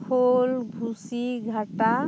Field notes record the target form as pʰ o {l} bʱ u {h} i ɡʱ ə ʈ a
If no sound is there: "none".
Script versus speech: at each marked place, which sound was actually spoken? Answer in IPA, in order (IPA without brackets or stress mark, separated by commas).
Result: l, s